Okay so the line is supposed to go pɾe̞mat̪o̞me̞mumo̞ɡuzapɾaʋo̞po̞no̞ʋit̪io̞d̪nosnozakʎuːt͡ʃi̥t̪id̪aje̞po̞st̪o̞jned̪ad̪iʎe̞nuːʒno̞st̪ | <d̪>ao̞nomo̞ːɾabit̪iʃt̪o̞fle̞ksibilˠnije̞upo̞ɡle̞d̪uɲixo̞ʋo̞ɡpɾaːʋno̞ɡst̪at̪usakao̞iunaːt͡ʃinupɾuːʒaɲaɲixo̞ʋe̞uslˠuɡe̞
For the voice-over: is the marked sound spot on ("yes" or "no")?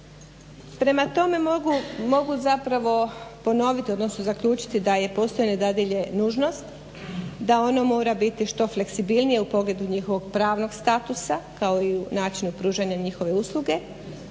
yes